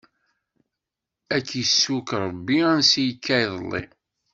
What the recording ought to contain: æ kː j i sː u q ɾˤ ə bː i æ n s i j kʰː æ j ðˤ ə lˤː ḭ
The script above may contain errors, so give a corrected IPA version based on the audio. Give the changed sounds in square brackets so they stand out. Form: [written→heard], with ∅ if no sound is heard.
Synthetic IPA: æ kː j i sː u [q→k] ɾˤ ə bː i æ n s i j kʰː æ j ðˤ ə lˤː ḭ